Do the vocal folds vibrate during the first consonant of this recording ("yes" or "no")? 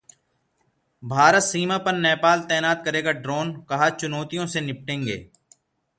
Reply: yes